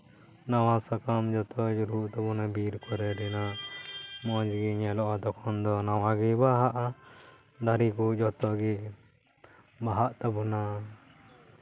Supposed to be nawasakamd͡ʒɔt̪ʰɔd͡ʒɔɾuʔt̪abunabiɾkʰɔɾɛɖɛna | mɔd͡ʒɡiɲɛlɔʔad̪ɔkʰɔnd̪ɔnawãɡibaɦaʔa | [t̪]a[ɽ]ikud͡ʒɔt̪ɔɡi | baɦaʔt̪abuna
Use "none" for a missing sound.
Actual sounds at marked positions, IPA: d̪, ɾ

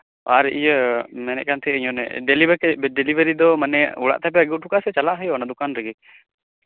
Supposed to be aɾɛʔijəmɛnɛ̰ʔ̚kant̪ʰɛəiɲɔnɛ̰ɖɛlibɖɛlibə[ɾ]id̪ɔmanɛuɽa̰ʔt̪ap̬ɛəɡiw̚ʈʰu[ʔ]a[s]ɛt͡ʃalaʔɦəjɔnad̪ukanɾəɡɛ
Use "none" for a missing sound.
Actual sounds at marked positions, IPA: ɾ, k, s

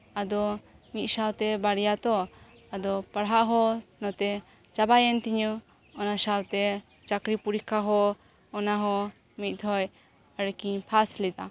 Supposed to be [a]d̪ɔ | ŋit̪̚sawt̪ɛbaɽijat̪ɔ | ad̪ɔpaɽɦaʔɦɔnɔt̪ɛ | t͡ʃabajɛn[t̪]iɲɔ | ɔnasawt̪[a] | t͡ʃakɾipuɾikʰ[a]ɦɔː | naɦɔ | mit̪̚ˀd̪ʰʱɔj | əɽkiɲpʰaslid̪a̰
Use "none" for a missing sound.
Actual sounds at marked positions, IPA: a, t̪, ɛ, a

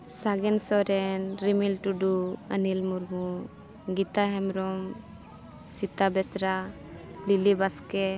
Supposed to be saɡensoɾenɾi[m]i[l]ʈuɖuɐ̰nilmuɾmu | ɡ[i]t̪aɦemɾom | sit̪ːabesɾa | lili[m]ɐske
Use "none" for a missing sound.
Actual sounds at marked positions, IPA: m, l, i, b

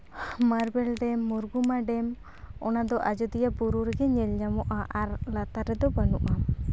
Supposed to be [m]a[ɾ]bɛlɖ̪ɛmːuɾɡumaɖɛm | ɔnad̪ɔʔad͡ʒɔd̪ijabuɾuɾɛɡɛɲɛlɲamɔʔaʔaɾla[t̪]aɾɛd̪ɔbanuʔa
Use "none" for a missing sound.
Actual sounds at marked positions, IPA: m, ɾ, t̪

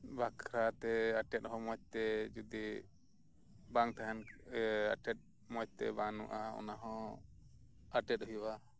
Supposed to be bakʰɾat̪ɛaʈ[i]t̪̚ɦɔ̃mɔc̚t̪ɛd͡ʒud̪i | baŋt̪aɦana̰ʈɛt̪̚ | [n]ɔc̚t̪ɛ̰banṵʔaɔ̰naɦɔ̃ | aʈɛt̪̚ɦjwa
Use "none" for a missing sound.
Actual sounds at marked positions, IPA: ɛ, m

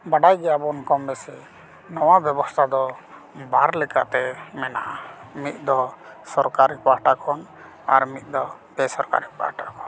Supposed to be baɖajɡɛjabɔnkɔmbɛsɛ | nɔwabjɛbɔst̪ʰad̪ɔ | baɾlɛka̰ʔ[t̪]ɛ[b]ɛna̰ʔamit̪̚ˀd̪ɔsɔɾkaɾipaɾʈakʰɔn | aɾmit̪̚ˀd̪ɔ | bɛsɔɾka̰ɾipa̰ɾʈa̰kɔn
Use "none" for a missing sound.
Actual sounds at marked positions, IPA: t̪, m

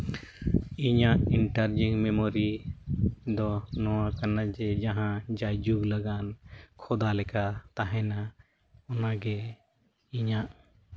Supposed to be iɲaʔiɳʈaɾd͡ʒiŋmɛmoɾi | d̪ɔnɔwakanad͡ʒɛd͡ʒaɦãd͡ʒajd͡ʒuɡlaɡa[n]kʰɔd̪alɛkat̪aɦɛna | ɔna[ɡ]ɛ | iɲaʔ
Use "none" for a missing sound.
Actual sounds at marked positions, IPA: n, ɡ

